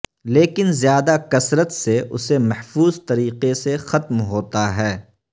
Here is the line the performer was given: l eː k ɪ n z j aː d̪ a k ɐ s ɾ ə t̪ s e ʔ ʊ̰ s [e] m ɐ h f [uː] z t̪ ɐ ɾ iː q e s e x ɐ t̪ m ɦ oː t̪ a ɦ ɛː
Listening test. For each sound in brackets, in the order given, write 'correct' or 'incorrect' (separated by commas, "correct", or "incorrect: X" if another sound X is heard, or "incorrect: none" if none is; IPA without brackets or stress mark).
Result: correct, correct